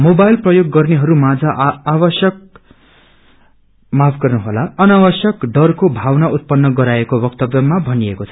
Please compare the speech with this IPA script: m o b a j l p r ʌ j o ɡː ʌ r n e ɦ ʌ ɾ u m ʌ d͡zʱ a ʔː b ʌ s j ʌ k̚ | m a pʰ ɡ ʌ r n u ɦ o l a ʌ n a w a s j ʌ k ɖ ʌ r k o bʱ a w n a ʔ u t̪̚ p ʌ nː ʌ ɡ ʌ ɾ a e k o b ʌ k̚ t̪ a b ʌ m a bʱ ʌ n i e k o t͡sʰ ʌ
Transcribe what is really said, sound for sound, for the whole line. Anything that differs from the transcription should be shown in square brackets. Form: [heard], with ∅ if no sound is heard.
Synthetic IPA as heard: m o b a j l p r ʌ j o ɡː ʌ r n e ɦ ʌ ɾ u m [a] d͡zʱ a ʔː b ʌ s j ʌ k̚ | m a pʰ ɡ ʌ r n u ɦ o l a ʌ n a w [ʌ] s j ʌ k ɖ ʌ r k o bʱ a w n a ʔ u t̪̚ p ʌ nː ʌ ɡ ʌ ɾ a e k o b ʌ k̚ t̪ [ʌ] b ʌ m a bʱ ʌ n i e k o t͡sʰ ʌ